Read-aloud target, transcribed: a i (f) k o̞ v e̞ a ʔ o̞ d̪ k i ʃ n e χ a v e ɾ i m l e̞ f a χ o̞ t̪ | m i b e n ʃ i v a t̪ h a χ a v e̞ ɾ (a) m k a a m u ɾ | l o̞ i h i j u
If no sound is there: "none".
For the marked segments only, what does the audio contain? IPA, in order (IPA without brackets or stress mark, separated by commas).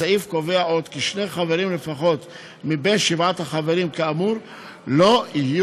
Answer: f, i